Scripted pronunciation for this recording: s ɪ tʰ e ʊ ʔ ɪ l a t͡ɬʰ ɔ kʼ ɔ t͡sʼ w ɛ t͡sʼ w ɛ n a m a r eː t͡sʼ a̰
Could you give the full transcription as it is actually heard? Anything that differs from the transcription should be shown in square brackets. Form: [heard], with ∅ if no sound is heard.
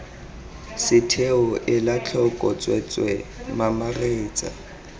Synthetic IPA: s ɪ tʰ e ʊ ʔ ɪ l a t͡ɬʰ ɔ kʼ ɔ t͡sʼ w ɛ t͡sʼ w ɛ [m] a m a r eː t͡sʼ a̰